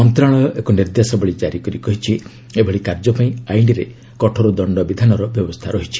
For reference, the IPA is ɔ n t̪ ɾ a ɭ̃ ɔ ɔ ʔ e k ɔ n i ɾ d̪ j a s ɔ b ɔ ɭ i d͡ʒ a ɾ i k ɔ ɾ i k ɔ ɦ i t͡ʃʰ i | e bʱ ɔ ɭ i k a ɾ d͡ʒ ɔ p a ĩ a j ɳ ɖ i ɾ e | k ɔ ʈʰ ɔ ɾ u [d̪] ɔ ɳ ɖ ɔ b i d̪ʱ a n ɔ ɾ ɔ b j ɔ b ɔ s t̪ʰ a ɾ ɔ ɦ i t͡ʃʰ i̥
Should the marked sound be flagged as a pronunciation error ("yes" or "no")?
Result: no